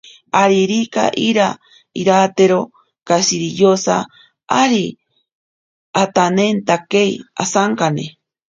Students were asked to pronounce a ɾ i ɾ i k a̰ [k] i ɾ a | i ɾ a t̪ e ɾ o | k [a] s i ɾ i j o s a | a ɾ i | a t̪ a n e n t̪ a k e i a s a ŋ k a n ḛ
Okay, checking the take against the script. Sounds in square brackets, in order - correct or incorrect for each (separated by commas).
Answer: incorrect, correct